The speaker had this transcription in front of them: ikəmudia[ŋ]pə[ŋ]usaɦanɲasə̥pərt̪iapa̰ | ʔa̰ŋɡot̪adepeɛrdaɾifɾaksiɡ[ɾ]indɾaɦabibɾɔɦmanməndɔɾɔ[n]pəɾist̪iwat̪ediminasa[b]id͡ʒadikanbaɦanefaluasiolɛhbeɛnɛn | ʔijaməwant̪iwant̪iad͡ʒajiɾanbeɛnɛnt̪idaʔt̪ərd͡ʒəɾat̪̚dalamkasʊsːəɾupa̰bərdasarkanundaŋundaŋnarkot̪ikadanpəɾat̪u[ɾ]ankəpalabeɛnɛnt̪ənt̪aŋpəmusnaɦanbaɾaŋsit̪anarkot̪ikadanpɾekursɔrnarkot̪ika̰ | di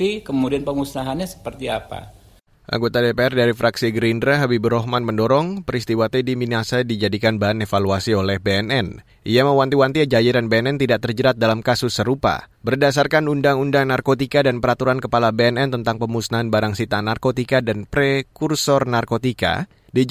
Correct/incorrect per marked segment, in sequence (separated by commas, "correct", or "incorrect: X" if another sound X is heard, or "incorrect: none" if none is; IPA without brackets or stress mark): incorrect: n, correct, correct, incorrect: ŋ, incorrect: d, correct